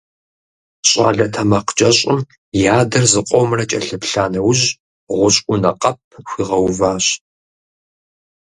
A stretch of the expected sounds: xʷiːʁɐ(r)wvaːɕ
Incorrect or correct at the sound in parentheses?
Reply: incorrect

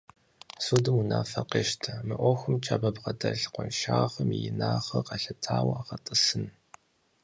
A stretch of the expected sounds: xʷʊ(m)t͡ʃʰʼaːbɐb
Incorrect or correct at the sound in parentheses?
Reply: correct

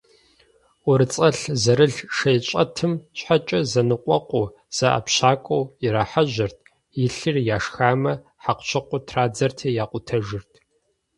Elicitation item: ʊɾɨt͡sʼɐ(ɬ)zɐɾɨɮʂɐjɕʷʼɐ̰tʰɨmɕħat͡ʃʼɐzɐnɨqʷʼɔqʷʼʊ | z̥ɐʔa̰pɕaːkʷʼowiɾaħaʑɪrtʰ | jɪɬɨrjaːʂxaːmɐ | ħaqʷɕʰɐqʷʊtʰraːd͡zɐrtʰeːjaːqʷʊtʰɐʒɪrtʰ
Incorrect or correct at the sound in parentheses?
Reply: correct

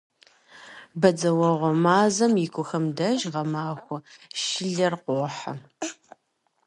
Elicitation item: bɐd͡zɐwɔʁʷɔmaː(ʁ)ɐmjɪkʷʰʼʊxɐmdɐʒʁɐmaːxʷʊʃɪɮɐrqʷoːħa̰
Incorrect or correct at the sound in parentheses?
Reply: incorrect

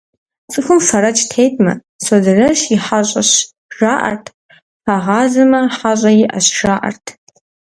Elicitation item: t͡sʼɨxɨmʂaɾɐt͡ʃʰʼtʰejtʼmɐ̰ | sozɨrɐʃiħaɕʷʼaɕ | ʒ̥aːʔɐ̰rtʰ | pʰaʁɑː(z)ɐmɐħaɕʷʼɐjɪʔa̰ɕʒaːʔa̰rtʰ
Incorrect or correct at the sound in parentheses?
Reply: correct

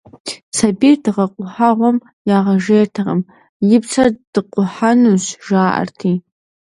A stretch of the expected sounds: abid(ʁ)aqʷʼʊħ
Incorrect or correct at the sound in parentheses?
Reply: correct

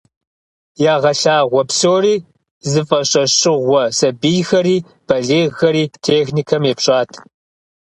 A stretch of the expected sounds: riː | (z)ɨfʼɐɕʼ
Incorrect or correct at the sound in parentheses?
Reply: correct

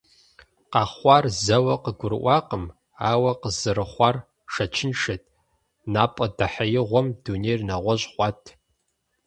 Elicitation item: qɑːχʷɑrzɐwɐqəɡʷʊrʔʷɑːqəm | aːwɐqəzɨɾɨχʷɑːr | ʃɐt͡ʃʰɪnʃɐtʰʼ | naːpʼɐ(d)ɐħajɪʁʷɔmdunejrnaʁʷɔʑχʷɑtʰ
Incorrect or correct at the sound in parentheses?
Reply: correct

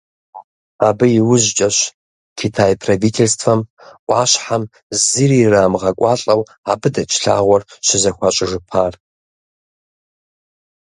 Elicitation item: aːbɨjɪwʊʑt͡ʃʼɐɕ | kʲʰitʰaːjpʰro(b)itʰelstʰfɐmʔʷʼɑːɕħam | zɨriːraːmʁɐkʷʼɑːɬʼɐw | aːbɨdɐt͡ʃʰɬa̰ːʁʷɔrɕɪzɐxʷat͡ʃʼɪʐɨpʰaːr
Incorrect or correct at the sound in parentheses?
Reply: incorrect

